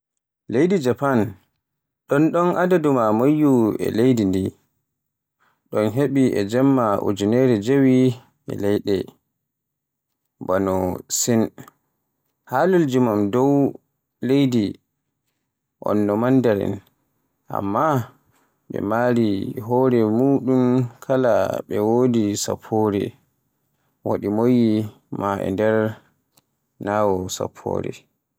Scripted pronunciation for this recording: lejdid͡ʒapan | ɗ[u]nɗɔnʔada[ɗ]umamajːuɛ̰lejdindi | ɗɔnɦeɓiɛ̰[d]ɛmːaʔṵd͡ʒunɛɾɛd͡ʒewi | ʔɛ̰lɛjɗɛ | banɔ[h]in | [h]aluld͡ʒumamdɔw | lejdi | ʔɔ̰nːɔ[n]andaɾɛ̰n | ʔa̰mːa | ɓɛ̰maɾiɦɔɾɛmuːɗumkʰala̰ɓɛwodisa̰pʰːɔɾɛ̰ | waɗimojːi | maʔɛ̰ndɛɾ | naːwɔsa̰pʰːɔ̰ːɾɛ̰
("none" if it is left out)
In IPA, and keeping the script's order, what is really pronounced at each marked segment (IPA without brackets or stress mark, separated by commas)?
ɔ, d, d͡ʒ, s, h, m